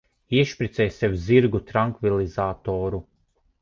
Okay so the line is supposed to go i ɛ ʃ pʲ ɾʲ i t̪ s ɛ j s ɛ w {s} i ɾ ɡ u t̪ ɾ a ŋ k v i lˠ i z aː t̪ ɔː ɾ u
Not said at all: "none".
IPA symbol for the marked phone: z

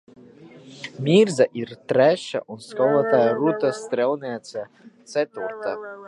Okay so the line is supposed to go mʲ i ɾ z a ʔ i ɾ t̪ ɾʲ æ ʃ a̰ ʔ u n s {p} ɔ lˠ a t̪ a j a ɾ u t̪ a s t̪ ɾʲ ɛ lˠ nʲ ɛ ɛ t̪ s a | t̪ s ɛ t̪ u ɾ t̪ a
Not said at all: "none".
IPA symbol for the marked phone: k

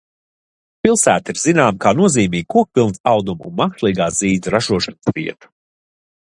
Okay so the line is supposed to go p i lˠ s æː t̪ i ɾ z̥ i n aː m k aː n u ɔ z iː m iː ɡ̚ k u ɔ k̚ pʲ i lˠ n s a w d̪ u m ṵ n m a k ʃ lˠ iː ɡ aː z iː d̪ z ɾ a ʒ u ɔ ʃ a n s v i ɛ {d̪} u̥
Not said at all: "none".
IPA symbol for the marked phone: t̪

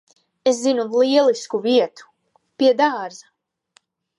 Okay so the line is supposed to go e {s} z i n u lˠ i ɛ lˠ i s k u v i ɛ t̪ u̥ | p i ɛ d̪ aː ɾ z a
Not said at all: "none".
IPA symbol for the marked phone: s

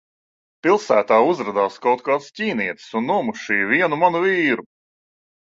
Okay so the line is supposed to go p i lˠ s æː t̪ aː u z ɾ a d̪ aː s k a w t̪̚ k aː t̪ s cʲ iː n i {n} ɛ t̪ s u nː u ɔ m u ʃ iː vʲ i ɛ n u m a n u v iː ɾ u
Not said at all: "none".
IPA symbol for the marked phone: none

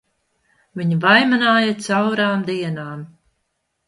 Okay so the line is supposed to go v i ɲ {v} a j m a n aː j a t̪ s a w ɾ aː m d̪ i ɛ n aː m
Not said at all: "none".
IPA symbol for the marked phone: v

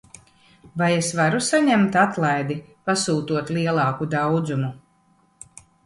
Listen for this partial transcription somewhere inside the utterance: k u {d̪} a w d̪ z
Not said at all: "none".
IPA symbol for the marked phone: d̪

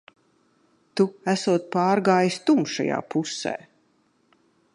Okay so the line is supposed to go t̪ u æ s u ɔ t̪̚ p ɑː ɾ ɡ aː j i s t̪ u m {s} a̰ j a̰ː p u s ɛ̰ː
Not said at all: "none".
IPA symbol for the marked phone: ʃ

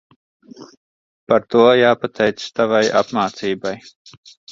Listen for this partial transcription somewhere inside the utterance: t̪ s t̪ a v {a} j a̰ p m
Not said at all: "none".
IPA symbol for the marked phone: a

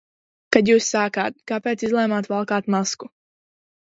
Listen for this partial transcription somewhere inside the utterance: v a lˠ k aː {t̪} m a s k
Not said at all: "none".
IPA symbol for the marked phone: t̪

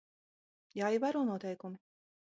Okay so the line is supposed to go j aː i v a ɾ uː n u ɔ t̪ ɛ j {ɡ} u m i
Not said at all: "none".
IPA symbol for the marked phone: k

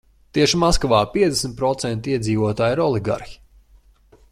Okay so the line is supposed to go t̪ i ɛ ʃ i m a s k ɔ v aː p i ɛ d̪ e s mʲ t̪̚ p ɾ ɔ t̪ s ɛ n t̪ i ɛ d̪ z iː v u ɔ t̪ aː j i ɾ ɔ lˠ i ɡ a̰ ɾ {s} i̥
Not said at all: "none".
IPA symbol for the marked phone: x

